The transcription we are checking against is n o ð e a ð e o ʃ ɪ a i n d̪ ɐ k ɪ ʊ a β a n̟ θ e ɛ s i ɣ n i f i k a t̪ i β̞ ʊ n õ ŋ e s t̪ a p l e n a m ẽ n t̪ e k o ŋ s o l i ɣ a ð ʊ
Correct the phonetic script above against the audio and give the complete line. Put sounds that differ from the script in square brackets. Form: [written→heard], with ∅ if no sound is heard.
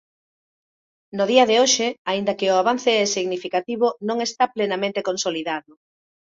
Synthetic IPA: n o ð [e→i] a ð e o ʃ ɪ a i n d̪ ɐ k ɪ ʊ a β a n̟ θ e ɛ s i ɣ n i f i k a t̪ i β̞ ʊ n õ ŋ e s t̪ a p l e n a m ẽ n t̪ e k o [ŋ→n] s o l i [ɣ→ð] a ð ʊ